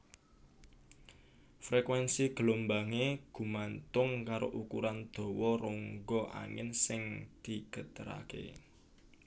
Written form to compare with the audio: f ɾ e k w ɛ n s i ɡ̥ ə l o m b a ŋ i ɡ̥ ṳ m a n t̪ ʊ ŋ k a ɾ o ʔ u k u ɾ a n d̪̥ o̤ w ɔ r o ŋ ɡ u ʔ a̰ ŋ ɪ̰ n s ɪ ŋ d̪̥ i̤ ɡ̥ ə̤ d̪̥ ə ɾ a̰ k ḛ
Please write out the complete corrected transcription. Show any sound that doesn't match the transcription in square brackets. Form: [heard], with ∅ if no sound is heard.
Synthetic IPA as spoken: f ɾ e k w ɛ n s i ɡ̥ ə l o m b a ŋ [e] ɡ̥ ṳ m a n t̪ ʊ ŋ k a ɾ o ʔ u k u ɾ a n d̪̥ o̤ w ɔ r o ŋ ɡ [ɔ] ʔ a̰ ŋ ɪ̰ n s ɪ ŋ d̪̥ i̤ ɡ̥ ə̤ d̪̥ ə ɾ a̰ k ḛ